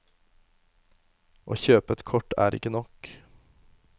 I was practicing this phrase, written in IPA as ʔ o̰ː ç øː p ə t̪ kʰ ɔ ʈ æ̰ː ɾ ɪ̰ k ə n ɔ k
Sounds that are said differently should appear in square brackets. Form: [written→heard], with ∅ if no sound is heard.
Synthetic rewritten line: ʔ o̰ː ç øː p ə t̪ kʰ ɔ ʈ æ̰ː ɾ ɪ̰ k ə n ɔ k